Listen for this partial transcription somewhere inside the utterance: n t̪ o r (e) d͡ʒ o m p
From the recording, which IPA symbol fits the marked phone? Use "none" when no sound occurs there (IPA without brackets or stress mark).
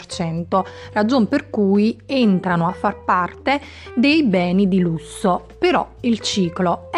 a